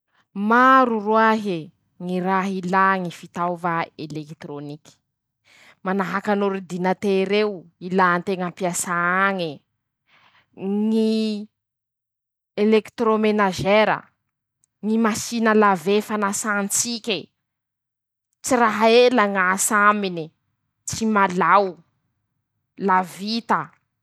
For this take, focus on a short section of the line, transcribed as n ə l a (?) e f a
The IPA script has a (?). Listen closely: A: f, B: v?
B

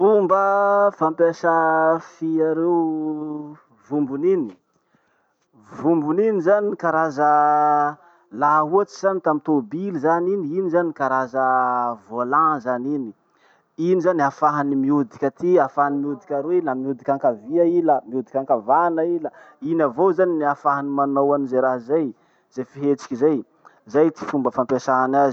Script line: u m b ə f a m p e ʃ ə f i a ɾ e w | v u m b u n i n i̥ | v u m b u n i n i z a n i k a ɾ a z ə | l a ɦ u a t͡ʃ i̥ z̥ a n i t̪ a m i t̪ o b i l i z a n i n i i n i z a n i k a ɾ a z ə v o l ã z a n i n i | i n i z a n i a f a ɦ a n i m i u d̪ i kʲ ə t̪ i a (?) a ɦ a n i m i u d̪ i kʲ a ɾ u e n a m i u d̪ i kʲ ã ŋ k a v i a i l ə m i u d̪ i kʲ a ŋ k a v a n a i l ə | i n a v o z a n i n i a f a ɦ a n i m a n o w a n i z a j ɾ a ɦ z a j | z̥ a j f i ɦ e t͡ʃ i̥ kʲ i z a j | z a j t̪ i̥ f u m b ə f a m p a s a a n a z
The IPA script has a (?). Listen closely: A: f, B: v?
A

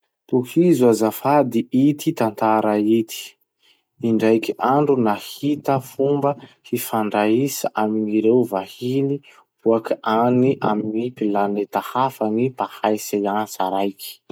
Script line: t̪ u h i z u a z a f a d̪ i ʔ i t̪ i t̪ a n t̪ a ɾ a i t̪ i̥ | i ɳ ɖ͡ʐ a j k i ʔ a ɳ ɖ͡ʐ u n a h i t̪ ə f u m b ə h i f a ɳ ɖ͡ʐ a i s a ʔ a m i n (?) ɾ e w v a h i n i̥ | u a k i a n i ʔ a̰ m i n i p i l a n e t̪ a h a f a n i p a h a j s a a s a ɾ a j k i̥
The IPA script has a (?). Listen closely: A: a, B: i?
B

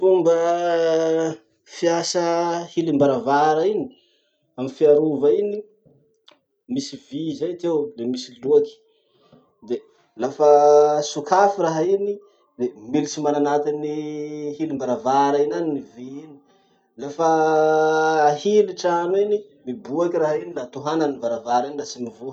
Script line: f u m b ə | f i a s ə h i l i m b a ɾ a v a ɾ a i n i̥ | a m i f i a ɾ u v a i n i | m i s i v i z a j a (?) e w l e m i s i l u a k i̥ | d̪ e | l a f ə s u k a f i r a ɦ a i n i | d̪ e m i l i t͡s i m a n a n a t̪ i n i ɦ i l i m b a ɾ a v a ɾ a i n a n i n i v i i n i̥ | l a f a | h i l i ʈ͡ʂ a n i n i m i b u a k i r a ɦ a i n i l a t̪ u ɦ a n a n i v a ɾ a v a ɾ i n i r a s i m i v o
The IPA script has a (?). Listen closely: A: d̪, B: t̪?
B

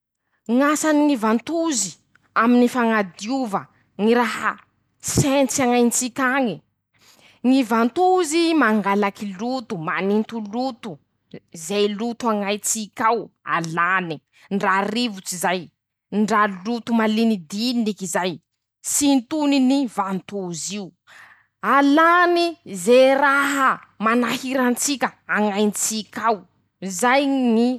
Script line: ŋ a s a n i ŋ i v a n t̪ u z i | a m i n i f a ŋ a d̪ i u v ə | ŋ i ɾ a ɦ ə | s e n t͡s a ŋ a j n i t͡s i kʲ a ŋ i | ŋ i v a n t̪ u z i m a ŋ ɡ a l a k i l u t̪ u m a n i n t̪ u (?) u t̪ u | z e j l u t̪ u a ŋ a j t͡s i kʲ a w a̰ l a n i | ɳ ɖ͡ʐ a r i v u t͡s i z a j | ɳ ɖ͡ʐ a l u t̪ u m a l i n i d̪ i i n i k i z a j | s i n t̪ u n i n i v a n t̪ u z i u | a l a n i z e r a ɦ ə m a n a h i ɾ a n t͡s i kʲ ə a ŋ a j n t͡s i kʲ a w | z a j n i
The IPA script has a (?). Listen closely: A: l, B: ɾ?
A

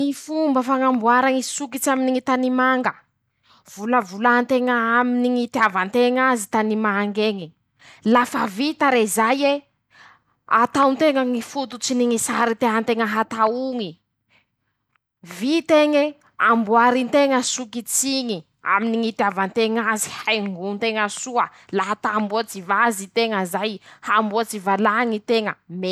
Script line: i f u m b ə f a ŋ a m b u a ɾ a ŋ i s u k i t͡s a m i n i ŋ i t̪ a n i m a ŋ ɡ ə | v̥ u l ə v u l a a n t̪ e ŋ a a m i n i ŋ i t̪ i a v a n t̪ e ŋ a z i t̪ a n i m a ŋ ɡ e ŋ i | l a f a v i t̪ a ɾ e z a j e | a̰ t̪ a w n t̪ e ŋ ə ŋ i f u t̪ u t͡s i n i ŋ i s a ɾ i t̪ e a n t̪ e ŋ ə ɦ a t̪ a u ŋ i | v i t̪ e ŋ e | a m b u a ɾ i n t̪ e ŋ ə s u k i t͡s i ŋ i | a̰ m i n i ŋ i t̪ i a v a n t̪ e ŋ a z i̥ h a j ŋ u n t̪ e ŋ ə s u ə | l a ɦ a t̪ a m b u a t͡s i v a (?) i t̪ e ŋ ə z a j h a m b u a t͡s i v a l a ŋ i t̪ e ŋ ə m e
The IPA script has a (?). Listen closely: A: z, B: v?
A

